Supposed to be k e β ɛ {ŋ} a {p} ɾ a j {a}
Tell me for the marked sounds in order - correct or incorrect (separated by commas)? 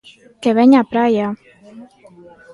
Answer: incorrect, correct, correct